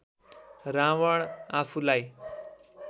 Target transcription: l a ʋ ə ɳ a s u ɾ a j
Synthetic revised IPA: ɾ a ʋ ə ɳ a f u l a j